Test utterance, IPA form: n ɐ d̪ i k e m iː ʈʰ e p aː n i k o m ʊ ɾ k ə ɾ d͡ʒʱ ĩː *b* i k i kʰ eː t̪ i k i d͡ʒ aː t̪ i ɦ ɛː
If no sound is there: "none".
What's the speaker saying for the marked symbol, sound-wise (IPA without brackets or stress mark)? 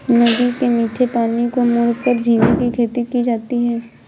ɡ